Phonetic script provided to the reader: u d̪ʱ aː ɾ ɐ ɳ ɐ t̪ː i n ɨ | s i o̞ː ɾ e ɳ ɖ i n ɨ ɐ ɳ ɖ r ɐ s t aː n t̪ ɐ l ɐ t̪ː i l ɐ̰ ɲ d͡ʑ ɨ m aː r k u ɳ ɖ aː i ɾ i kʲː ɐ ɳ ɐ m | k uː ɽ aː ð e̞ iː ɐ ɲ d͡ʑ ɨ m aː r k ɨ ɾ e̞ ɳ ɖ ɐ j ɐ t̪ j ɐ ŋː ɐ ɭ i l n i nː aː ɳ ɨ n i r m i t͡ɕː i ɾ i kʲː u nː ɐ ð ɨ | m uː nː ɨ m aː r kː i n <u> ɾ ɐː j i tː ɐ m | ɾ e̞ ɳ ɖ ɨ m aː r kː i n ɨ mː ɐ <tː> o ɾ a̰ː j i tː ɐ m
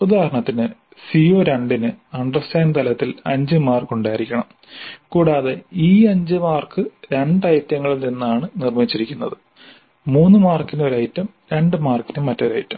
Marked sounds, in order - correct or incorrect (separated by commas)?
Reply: incorrect, correct